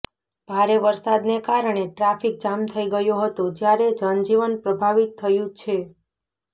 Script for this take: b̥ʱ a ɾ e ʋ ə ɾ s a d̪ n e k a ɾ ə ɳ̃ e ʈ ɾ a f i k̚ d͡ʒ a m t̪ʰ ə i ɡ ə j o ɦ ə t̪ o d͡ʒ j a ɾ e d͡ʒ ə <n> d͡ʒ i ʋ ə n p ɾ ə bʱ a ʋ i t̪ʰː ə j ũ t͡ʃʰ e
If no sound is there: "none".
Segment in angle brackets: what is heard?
n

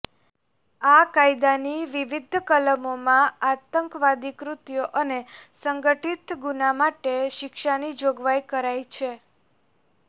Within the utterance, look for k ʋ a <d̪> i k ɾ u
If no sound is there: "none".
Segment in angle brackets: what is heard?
d̪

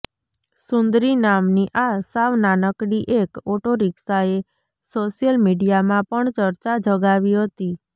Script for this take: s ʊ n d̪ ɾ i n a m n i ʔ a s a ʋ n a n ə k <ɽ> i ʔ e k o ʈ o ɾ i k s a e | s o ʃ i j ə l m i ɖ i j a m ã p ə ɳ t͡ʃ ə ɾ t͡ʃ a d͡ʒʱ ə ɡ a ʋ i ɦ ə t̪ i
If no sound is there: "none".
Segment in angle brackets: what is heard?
ɽ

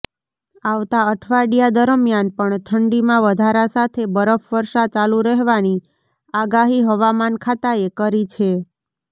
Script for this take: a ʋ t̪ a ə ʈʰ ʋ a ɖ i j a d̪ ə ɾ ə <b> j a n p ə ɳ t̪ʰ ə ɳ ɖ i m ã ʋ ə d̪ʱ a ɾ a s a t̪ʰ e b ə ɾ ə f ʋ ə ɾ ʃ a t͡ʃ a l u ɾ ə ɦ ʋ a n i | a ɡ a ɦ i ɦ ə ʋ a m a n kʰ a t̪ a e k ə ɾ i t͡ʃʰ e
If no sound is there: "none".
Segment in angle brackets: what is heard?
m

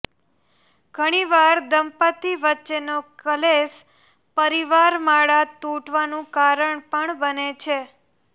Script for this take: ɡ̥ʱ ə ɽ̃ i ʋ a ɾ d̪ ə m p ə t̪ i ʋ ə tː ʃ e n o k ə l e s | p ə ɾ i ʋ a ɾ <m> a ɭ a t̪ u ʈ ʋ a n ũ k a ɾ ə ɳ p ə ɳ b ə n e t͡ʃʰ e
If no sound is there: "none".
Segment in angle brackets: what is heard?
m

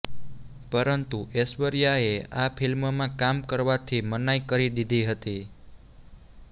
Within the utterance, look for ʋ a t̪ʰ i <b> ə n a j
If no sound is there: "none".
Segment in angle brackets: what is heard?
m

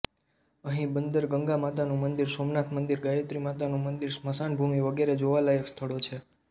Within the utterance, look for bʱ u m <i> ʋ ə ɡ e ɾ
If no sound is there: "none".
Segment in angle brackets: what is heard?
i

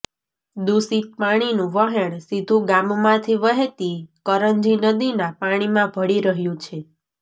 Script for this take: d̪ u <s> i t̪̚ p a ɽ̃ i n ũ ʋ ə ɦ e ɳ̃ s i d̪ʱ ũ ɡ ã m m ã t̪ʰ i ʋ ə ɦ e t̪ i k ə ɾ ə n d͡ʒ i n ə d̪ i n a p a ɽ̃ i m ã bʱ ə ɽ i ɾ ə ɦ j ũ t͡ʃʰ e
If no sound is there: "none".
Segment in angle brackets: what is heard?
s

